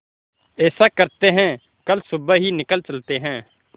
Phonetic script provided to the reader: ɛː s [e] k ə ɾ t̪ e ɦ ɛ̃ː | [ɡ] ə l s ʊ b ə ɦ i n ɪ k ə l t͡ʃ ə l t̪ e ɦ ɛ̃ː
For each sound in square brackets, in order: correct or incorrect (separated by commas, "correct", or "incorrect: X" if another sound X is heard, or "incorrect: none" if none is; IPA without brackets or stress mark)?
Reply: incorrect: a, incorrect: k